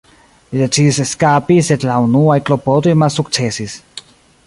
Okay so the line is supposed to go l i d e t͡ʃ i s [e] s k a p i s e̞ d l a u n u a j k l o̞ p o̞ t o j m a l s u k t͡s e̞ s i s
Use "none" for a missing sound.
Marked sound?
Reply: e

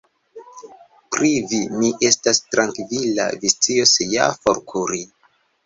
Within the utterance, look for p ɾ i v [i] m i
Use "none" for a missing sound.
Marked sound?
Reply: i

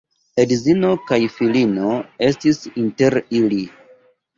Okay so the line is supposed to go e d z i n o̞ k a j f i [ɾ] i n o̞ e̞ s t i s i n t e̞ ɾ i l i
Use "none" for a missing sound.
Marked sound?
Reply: l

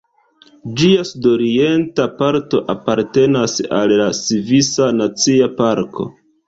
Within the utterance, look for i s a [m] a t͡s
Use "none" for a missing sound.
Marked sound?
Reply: n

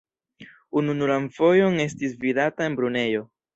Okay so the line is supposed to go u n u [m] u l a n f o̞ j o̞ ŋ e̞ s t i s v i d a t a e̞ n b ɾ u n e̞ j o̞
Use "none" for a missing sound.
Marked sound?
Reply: n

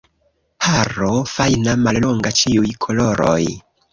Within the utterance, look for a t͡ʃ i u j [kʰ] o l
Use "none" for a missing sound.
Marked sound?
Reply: kʰ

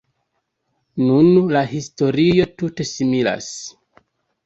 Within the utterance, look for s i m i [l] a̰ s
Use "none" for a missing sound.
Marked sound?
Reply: l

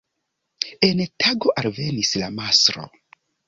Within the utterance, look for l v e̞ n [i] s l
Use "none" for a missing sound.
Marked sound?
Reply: i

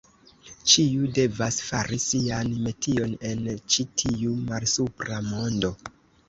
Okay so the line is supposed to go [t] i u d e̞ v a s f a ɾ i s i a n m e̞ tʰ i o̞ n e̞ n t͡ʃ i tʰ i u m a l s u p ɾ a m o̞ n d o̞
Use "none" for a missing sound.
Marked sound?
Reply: t͡ʃ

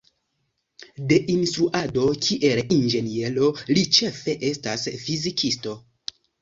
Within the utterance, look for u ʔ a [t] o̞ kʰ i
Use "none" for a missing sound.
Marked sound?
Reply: d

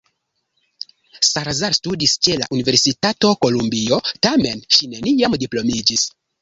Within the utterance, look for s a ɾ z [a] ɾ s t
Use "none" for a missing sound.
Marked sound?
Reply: a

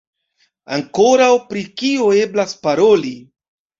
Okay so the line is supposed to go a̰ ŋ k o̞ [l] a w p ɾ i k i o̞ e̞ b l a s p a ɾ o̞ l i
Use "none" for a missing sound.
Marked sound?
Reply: ɾ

